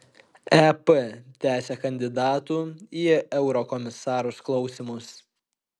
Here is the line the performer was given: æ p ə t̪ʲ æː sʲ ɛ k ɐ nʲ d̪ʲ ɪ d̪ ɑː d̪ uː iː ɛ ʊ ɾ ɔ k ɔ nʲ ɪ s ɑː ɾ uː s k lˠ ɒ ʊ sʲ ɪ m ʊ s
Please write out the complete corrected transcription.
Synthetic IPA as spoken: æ p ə t̪ʲ æː sʲ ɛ k ɐ nʲ d̪ʲ ɪ d̪ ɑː t̪ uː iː ɛ ʊ ɾ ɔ k ɔ mʲ ɪ s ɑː ɾ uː s k lˠ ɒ ʊ sʲ ɪ m ʊ s